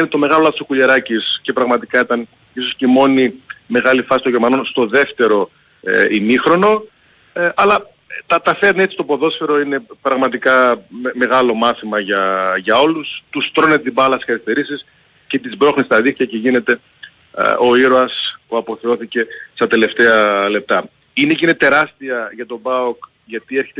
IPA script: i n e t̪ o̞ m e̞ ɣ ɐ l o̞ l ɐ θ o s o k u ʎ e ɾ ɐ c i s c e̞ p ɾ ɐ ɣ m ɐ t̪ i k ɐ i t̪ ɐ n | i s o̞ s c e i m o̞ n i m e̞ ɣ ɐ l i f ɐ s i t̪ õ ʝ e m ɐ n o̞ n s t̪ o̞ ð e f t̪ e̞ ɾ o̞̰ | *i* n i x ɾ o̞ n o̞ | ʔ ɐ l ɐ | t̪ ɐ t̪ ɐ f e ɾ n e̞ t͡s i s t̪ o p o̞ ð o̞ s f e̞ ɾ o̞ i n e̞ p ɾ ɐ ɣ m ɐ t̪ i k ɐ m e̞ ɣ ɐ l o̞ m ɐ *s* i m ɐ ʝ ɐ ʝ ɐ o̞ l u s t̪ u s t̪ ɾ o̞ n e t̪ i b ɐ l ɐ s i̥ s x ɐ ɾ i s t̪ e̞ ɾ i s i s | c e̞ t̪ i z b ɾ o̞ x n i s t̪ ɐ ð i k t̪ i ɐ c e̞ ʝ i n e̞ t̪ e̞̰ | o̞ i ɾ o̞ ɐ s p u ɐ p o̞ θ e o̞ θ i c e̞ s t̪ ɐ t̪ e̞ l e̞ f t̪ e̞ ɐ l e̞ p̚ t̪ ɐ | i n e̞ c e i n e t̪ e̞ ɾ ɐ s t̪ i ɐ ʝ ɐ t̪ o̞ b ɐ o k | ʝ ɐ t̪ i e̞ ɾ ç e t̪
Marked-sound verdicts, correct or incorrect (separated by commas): correct, incorrect